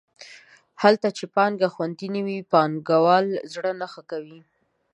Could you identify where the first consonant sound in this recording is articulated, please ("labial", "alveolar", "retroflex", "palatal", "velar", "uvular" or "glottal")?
glottal